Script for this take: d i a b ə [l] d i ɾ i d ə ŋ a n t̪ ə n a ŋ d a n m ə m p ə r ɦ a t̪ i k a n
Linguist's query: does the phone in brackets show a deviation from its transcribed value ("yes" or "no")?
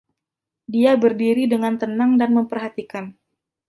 yes